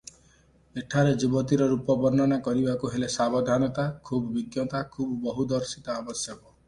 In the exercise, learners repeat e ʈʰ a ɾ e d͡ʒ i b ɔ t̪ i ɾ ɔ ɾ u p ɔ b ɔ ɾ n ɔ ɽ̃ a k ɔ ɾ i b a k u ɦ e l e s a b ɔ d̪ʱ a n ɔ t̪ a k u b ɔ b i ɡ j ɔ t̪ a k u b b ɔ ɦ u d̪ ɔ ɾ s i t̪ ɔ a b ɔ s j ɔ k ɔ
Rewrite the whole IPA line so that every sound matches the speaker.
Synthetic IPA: e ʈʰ a ɾ e d͡ʒ i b ɔ t̪ i ɾ ɔ ɾ u p ɔ b ɔ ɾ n ɔ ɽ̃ a k ɔ ɾ i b a k u ɦ e l e s a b ɔ d̪ʱ a n ɔ t̪ a kʰ u b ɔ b i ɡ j ɔ t̪ a kʰ u b b ɔ ɦ u d̪ ɔ ɾ s i t̪ ɔ a b ɔ s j ɔ k ɔ